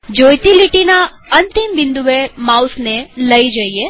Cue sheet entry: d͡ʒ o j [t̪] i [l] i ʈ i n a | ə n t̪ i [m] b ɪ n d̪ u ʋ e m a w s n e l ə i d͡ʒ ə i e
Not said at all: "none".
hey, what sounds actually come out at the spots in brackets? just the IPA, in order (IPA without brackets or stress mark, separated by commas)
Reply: t̪, l, m